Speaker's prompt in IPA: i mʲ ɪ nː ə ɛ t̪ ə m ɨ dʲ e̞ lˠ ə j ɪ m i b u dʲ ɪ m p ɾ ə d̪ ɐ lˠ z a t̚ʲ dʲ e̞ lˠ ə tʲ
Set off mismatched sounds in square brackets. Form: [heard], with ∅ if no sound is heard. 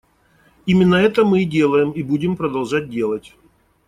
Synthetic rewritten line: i mʲ ɪ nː ə ɛ t̪ ə m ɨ dʲ e̞ lˠ ə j ɪ m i b u dʲ ɪ m p ɾ ə d̪ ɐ lˠ [ʐ] a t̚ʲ dʲ e̞ lˠ ə tʲ